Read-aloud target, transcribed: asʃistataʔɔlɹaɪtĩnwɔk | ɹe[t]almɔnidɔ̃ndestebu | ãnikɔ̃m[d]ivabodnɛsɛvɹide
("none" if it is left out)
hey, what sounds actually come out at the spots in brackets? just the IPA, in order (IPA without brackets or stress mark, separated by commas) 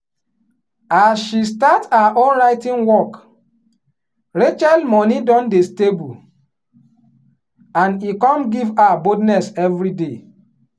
t͡ʃ, ɡ